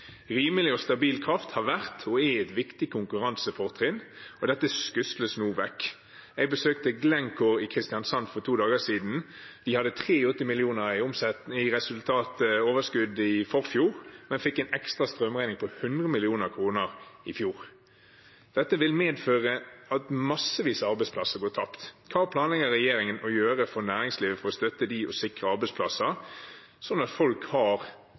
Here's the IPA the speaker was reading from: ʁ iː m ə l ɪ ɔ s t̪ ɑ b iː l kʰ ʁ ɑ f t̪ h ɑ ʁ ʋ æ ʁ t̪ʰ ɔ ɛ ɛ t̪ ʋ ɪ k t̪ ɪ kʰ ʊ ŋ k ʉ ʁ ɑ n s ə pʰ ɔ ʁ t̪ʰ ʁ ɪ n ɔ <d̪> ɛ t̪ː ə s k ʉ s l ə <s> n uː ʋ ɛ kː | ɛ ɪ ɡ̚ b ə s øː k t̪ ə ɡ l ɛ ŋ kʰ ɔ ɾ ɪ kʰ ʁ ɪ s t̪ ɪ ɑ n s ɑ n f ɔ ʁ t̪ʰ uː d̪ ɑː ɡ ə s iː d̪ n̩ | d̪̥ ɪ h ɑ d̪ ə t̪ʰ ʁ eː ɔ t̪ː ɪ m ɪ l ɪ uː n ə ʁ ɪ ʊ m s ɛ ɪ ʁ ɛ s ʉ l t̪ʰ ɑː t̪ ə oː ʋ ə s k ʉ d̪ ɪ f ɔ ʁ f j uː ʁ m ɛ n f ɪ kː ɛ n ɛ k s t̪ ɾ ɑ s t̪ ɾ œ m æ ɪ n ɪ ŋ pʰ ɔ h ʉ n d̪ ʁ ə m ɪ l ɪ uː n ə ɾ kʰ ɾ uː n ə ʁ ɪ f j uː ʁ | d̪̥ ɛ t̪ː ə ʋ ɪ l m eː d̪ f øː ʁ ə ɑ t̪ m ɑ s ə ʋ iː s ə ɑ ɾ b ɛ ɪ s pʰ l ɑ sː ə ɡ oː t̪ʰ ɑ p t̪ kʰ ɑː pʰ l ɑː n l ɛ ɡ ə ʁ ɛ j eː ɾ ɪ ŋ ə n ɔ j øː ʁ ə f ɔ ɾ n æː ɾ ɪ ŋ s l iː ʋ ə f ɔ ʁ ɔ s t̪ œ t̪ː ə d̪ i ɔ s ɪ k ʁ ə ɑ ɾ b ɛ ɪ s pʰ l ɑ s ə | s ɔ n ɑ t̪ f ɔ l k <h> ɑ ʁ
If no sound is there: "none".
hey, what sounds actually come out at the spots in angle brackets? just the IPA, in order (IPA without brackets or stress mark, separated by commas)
d̪, s, h